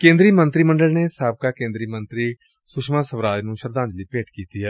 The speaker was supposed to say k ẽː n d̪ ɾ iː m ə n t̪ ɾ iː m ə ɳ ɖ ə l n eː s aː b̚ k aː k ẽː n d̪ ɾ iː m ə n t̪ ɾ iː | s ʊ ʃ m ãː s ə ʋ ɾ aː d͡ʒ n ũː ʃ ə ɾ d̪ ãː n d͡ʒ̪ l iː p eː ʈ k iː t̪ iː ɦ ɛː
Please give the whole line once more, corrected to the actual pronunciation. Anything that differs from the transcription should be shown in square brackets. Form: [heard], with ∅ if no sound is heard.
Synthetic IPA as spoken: k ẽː n d̪ ɾ iː m ə n t̪ ɾ iː m ə ɳ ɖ ə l n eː s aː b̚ k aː k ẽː n d̪ ɾ iː m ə n t̪ ɾ iː | s ʊ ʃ m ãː s ə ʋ ɾ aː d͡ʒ n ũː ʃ ə ɾ d̪ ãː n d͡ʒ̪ l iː p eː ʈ k iː t̪ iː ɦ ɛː